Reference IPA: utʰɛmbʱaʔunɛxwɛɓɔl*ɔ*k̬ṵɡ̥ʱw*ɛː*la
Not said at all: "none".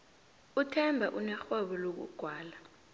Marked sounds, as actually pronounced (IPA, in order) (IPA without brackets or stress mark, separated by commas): o, aː